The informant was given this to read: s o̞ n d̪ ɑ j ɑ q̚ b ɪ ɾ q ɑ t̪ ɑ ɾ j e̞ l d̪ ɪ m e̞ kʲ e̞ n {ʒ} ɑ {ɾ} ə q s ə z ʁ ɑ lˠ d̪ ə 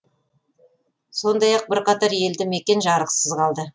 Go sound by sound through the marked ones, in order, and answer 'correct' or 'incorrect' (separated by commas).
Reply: correct, correct